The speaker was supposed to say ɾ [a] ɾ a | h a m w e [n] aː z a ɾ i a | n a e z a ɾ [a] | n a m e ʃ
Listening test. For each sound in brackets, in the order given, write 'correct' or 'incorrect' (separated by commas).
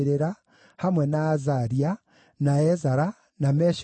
incorrect, correct, correct